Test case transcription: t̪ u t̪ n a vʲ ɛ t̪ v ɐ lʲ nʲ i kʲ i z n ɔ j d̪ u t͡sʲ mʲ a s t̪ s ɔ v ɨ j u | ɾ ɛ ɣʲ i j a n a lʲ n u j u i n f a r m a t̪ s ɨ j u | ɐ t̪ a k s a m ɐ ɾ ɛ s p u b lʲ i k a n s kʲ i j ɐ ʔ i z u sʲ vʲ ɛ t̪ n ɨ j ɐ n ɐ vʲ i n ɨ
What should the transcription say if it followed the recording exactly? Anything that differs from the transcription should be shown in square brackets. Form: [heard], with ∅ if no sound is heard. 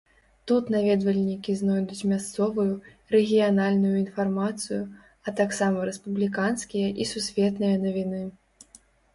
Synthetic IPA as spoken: t̪ u t̪ n a vʲ ɛ [d̪] v ɐ lʲ nʲ i kʲ i z n ɔ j d̪ u t͡sʲ mʲ a s t̪ s ɔ v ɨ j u | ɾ ɛ ɣʲ i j a n a lʲ n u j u i n f a r m a t̪ s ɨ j u | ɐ t̪ a k s a m ɐ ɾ ɛ s p u b lʲ i k a n s kʲ i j ɐ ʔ i [s] u sʲ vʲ ɛ t̪ n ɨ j ɐ n ɐ vʲ i n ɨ